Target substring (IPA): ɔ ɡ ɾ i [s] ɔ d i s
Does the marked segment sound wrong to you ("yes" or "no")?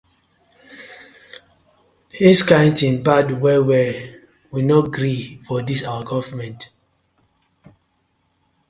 yes